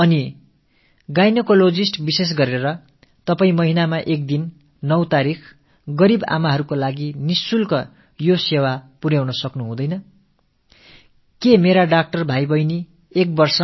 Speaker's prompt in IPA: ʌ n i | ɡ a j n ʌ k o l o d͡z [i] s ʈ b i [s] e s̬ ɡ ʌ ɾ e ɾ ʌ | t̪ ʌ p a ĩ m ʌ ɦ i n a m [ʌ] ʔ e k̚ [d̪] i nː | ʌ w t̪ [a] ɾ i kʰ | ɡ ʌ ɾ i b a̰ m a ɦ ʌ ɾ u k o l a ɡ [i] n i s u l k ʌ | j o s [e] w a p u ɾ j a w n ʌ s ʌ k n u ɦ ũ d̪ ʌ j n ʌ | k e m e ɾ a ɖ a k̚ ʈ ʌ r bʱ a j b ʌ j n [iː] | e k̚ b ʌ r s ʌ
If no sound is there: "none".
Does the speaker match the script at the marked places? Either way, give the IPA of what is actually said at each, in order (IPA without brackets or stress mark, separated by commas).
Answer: i, s, a, d̪, a, i, e, i